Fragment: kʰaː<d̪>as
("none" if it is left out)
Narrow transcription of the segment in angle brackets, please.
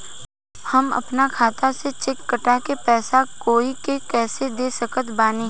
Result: t̪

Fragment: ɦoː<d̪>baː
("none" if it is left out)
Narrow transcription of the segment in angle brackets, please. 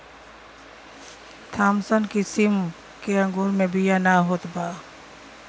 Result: t̪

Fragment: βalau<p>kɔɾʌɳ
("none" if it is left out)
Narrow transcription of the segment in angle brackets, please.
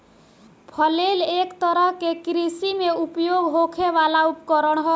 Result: p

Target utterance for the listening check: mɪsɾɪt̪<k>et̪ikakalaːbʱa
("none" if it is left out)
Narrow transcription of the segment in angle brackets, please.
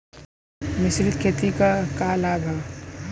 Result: kʰ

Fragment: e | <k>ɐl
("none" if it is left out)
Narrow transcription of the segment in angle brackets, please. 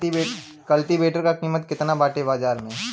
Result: k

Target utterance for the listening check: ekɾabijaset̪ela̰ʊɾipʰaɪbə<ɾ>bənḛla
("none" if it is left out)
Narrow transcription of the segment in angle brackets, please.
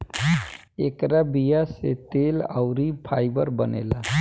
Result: ɾ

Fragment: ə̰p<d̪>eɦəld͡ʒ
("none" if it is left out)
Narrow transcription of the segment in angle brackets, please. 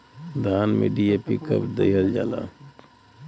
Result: d̪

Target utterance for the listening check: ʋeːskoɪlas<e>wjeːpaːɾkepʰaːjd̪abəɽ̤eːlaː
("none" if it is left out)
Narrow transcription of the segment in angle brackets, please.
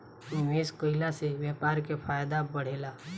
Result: e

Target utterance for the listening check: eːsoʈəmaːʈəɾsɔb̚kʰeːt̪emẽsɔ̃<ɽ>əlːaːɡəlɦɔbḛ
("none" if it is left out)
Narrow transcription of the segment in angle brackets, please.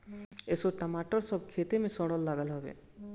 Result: ɽ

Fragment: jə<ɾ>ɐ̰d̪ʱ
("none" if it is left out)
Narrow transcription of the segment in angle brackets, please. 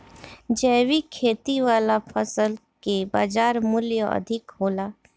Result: none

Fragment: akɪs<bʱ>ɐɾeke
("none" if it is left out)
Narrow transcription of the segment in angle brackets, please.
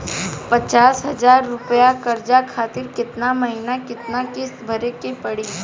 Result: bʱ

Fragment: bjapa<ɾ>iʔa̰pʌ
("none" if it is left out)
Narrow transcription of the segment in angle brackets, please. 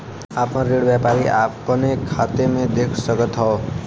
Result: ɾ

